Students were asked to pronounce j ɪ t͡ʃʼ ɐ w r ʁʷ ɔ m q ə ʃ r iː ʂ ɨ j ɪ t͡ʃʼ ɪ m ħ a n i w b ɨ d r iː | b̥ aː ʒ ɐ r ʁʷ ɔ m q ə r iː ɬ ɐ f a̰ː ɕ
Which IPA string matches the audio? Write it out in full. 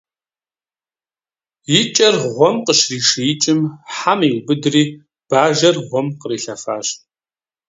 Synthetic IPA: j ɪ t͡ʃʼ ɐ r ʁʷ ɔ m q ə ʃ r iː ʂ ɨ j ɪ t͡ʃʼ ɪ m ħ a m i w b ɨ d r iː | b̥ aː ʒ ɐ r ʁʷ ɔ m q ə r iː ɬ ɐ f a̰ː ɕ